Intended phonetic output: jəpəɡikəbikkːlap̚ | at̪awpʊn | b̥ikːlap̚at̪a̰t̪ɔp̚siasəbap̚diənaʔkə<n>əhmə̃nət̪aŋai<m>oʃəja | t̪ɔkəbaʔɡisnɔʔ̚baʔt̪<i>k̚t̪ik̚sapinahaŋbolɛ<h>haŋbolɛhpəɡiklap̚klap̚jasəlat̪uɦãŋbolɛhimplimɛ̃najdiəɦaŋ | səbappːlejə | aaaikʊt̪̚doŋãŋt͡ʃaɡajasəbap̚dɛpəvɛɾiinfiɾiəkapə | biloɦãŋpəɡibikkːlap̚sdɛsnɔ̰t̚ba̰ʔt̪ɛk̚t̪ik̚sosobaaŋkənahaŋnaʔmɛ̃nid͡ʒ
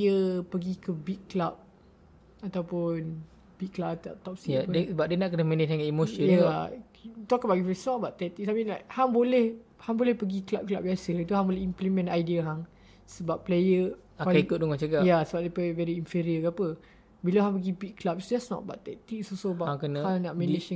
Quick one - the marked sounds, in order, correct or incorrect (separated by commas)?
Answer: correct, correct, incorrect, correct